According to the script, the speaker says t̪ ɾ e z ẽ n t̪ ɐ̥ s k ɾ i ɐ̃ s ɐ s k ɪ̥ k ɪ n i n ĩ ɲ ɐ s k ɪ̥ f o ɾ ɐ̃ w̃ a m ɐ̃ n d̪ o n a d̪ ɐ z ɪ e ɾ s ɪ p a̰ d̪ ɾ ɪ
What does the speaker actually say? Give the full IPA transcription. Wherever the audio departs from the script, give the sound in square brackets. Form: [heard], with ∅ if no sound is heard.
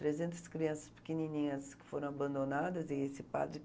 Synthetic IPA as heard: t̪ ɾ e z ẽ n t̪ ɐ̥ s k ɾ i ɐ̃ s ɐ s [p] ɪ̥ k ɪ n i n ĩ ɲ ɐ s k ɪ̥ f o ɾ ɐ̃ w̃ a [b] ɐ̃ n d̪ o n a d̪ ɐ z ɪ e [∅] s ɪ p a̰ d̪ ɾ ɪ